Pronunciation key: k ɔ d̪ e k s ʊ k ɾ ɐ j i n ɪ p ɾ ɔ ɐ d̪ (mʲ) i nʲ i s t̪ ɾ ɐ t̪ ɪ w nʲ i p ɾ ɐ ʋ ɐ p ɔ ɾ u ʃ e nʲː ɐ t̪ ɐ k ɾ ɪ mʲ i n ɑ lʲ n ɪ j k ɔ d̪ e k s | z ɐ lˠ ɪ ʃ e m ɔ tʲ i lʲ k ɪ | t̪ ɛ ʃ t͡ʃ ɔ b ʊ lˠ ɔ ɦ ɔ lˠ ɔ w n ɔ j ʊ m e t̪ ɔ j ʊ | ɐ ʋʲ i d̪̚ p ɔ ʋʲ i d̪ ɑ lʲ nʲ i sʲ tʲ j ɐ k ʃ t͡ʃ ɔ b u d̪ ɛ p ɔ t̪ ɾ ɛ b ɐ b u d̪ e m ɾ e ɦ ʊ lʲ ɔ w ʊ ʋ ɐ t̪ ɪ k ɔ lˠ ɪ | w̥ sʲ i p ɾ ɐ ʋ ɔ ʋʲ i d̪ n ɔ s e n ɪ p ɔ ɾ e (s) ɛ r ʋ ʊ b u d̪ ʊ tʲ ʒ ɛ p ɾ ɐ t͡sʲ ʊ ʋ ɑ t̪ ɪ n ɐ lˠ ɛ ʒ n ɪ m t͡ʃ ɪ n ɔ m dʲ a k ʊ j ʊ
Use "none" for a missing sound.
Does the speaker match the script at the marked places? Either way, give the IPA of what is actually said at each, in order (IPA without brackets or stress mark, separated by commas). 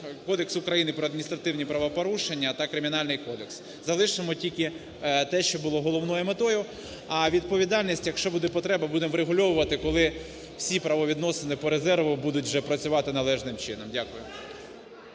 mʲ, z